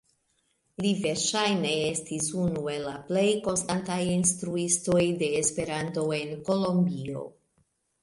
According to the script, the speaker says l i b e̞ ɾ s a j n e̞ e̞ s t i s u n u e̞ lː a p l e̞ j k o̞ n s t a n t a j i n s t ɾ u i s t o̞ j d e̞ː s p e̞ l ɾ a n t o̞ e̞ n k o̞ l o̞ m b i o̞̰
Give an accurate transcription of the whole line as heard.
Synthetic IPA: l i v e̞ ɾ ʃ a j n e̞ e̞ s t i s u n u e̞ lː a p l e̞ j k o̞ n s t a n t a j i n s t ɾ u i s t o̞ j d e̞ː s p e̞ ɾ a n t o̞ e̞ n k o̞ l o̞ m b i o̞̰